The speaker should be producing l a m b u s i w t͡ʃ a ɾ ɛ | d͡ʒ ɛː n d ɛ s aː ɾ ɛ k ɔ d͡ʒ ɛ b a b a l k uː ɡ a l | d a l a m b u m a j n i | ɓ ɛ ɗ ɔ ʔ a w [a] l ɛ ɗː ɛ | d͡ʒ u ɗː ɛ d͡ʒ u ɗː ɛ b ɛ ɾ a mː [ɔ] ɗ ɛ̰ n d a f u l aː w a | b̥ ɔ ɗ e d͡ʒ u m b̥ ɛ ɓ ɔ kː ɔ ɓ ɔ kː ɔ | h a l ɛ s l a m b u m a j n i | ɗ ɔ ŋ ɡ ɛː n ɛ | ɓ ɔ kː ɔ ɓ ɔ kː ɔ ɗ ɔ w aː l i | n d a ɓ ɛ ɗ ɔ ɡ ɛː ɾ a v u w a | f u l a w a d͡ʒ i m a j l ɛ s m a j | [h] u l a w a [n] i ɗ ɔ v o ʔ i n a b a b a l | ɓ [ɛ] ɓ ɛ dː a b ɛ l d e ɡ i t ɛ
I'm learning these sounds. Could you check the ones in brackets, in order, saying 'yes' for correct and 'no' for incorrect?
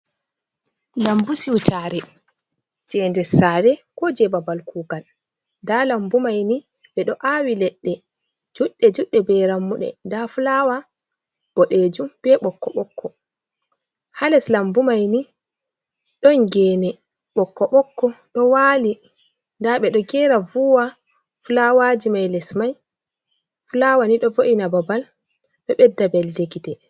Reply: no, no, no, yes, yes

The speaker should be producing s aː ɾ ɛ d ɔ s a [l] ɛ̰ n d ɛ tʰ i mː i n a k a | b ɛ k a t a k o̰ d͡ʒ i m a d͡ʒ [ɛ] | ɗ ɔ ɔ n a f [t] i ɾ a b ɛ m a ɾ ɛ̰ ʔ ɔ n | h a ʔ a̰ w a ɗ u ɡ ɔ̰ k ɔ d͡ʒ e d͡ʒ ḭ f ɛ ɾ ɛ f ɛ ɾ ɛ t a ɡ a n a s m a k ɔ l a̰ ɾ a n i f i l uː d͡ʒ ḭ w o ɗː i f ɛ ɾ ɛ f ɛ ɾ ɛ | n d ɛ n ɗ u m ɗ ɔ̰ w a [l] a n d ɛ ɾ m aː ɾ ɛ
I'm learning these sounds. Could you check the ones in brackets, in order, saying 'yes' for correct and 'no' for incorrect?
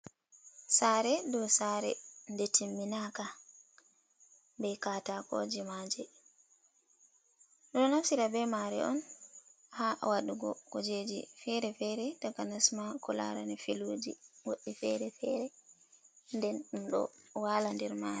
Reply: no, yes, no, yes

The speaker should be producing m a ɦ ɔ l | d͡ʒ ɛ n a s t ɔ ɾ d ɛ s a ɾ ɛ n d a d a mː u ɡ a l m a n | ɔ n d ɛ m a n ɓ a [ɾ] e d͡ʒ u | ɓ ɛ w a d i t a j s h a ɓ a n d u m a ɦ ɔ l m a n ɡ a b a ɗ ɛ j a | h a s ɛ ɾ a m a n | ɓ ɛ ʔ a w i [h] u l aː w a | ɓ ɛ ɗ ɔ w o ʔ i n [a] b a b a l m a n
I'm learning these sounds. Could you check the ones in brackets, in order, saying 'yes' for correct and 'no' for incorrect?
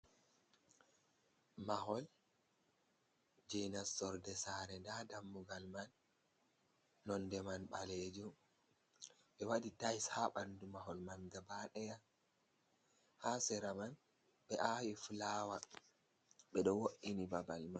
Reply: no, no, no

